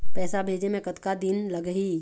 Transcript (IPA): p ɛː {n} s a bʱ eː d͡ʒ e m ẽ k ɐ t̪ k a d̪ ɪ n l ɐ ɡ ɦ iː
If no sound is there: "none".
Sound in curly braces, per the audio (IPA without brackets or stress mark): none